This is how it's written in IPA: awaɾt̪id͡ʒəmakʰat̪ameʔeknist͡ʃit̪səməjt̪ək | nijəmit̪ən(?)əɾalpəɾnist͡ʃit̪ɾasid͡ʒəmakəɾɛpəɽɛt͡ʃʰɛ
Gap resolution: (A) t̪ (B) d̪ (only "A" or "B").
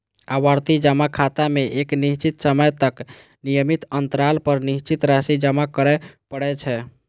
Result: A